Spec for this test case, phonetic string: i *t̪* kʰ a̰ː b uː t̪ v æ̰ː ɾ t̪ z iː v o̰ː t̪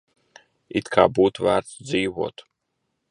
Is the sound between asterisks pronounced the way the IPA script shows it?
yes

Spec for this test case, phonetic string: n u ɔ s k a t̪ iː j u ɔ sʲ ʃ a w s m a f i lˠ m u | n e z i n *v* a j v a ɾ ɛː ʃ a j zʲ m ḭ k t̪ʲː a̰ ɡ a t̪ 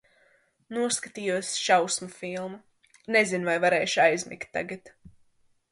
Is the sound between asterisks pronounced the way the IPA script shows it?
yes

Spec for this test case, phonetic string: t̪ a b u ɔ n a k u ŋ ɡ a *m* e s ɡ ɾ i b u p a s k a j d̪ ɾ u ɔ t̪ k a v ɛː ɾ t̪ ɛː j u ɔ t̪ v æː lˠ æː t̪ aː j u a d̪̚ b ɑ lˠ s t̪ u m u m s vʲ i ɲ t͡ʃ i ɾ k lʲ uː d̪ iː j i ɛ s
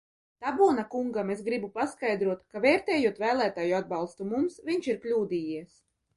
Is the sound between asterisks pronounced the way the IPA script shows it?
yes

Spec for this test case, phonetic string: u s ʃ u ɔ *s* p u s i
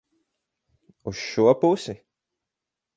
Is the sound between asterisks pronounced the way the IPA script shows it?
no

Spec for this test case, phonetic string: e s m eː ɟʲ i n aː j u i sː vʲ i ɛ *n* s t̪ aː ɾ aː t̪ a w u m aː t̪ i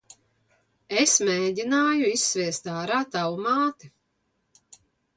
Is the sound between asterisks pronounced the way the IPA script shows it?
no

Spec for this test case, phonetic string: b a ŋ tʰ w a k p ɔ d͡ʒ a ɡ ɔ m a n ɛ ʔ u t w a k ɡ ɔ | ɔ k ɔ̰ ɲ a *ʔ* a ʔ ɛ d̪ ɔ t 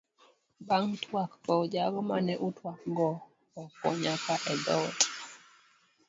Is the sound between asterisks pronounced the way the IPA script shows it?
no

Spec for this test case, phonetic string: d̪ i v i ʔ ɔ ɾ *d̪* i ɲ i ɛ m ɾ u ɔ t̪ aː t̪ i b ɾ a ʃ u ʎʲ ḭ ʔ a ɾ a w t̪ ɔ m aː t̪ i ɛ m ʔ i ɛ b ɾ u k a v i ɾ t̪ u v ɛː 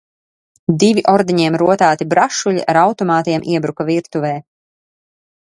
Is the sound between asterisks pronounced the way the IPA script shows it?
yes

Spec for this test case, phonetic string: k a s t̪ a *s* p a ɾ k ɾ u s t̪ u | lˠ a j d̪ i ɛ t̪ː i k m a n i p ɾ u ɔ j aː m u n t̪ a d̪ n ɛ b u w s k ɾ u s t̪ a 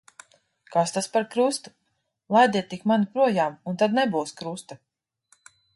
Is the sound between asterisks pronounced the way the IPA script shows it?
yes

